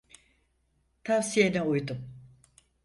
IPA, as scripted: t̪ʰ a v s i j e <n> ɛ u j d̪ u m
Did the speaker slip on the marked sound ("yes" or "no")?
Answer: no